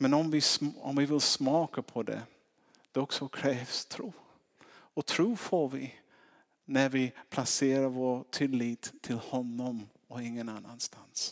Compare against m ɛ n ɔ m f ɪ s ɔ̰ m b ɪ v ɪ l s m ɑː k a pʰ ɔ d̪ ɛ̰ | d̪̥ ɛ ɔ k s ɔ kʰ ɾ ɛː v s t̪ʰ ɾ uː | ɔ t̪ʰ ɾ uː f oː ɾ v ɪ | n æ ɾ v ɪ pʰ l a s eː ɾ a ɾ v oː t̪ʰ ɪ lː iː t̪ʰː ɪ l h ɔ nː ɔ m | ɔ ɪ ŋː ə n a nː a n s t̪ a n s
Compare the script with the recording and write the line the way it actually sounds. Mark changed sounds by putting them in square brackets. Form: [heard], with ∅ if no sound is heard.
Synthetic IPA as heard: m ɛ n ɔ m [v] ɪ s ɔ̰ m [v] ɪ v ɪ l s m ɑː k a pʰ ɔ d̪ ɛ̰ | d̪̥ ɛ ɔ k s ɔ kʰ ɾ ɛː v s t̪ʰ ɾ uː | ɔ t̪ʰ ɾ uː f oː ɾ v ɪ | n æ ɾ v ɪ pʰ l a s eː ɾ a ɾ v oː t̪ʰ ɪ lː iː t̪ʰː ɪ l h ɔ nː ɔ m | ɔ ɪ ŋː ə n a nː a n s t̪ a n s